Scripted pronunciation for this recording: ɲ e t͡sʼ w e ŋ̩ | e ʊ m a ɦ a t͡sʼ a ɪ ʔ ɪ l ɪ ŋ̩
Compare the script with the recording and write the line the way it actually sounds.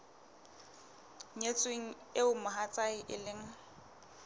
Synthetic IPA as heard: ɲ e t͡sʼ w e ŋ̩ | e ʊ m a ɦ a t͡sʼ a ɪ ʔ ɪ l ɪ ŋ̩